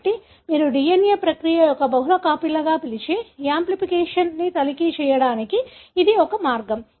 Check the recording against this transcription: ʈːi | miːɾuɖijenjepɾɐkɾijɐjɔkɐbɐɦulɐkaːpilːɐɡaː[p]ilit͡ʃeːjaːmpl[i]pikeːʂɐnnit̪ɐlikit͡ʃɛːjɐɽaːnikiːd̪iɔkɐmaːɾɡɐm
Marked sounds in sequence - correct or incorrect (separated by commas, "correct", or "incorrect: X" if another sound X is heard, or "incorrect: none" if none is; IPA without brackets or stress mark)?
correct, correct